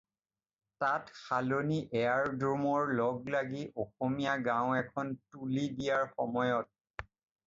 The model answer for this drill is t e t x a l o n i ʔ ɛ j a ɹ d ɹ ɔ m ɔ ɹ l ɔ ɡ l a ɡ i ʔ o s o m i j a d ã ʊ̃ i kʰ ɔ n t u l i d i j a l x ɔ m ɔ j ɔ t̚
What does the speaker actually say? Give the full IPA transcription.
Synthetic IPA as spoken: t a t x a l o n i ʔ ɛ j a ɹ d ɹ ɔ m ɔ ɹ l ɔ ɡ l a ɡ i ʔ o x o m i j a ɡ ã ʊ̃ ɛ kʰ ɔ n t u l i d i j a ɹ x ɔ m ɔ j ɔ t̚